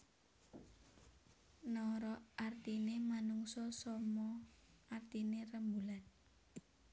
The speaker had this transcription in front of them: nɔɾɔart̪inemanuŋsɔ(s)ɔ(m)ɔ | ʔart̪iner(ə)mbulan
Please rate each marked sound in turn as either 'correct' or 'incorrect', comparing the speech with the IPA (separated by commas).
correct, correct, correct